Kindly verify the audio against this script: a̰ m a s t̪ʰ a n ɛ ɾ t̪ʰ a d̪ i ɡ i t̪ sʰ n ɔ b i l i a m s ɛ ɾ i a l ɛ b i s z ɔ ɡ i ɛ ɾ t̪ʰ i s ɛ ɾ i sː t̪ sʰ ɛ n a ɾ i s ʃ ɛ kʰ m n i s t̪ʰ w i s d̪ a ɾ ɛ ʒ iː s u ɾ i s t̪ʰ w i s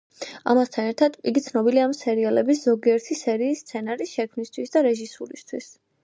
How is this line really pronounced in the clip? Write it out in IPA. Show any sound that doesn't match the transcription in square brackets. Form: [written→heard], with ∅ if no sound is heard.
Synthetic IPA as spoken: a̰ m a s t̪ʰ a n ɛ ɾ t̪ʰ a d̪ i ɡ i t̪ sʰ n ɔ b i l i a m s ɛ ɾ i a l ɛ b i s z ɔ ɡ i ɛ ɾ t̪ʰ i s ɛ ɾ [i→iː] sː t̪ sʰ ɛ n a ɾ i s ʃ ɛ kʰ m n i s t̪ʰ w i s d̪ a ɾ ɛ ʒ [iː→i] s u ɾ i s t̪ʰ w i s